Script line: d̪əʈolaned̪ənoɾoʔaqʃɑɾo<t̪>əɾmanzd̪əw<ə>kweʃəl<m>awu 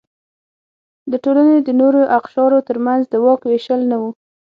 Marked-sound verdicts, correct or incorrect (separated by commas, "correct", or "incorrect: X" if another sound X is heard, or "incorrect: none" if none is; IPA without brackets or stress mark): correct, incorrect: ɑ, incorrect: n